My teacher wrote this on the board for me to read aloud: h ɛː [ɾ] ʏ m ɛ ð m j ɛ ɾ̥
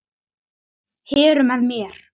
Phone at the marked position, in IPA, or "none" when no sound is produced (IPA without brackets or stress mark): ɾ